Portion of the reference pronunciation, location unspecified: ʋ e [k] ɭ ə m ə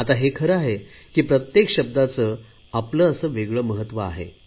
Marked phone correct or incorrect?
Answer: incorrect